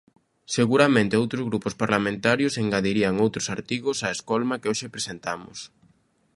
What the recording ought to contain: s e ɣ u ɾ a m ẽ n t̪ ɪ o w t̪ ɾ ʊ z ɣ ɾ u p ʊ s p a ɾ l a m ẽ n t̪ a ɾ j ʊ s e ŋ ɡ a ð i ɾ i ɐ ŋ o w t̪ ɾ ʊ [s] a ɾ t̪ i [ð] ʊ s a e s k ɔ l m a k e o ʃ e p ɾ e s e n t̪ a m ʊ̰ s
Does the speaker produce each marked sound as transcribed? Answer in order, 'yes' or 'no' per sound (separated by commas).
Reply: yes, no